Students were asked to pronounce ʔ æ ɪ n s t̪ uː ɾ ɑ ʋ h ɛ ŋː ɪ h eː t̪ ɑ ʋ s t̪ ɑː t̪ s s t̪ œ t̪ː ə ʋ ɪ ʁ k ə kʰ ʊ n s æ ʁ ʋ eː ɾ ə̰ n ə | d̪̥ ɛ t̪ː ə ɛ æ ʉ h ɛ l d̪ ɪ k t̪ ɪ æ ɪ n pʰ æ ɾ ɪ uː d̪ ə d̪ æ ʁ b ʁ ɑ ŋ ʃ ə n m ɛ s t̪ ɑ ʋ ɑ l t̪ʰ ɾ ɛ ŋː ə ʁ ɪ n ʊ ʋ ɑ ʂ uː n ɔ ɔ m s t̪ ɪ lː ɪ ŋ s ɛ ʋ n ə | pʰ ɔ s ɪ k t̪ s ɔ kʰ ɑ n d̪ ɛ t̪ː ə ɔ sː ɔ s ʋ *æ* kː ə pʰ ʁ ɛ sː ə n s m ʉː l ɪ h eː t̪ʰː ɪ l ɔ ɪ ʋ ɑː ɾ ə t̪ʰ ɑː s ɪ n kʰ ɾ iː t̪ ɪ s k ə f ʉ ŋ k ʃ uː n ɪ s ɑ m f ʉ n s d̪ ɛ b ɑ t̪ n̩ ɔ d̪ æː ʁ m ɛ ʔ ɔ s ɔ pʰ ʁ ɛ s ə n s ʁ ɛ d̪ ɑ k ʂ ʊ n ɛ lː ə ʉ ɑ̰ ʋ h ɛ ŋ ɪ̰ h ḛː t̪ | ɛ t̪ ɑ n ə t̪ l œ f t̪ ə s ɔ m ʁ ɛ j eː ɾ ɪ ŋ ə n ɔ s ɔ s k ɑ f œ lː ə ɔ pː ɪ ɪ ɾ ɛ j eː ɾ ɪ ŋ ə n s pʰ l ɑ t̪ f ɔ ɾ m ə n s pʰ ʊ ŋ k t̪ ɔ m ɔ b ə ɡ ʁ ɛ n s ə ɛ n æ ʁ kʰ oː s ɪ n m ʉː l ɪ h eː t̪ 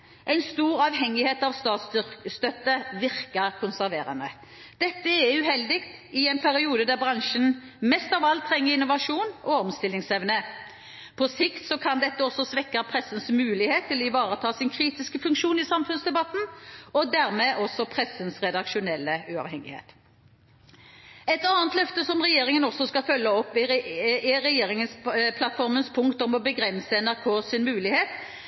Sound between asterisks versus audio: incorrect: ɛ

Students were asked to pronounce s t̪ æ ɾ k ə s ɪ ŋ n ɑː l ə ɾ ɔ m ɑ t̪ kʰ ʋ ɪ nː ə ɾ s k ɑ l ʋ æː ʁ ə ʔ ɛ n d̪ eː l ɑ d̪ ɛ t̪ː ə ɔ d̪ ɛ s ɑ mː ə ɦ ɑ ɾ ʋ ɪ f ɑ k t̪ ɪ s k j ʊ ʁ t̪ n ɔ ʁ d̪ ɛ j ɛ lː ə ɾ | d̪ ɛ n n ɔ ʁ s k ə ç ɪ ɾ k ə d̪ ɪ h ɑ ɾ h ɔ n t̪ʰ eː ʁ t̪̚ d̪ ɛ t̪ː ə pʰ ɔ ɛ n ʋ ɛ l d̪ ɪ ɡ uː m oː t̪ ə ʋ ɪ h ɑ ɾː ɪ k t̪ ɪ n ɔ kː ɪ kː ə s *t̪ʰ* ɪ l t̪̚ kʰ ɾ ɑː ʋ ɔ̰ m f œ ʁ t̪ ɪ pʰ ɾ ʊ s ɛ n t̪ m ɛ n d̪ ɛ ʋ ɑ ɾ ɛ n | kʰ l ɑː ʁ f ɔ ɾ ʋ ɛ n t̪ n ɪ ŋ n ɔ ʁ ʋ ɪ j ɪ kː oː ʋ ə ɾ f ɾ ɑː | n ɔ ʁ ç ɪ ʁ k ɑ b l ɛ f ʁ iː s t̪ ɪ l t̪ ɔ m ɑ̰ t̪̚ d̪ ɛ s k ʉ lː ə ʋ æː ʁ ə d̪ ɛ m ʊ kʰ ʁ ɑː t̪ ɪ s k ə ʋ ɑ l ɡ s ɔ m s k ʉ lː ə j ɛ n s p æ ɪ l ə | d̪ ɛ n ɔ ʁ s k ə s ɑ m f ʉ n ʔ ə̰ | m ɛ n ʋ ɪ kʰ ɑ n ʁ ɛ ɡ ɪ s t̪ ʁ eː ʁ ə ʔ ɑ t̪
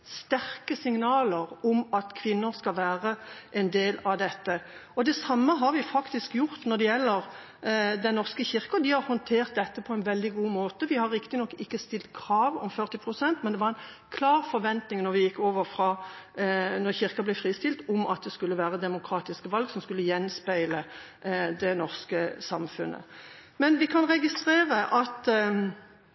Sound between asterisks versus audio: incorrect: t̪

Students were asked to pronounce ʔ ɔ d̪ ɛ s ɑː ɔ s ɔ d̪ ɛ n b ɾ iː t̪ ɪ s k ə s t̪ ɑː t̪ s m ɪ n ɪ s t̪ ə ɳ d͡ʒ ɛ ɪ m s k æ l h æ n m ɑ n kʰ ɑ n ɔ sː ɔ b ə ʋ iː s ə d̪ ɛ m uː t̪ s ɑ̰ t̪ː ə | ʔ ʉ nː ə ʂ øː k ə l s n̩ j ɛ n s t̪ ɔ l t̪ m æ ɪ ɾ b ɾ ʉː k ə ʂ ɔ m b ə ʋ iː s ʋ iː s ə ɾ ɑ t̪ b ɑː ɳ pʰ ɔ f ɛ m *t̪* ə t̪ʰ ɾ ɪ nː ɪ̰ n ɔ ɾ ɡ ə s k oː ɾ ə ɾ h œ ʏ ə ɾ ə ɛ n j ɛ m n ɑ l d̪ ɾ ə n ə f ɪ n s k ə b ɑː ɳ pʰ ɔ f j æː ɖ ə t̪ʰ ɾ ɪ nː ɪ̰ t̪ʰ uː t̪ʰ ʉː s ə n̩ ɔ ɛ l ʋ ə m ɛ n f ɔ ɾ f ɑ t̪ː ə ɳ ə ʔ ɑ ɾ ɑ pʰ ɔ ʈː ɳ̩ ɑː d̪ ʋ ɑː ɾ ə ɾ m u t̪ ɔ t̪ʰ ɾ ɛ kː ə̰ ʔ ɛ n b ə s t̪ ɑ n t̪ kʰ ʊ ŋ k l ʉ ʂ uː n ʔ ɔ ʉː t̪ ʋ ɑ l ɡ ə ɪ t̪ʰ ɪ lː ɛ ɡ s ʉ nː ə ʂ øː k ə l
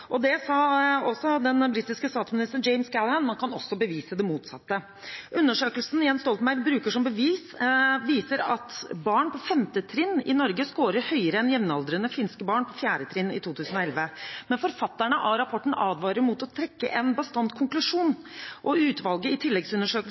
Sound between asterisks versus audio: correct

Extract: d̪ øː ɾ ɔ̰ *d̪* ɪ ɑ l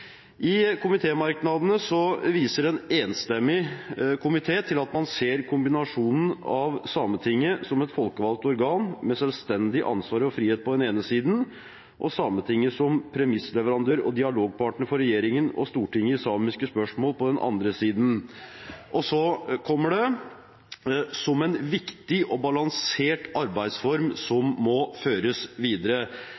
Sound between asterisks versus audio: correct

